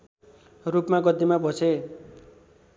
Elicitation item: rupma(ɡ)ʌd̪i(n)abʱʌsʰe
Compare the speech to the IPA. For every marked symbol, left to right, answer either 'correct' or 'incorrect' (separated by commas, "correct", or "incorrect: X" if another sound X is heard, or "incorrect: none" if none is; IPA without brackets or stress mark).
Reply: correct, incorrect: m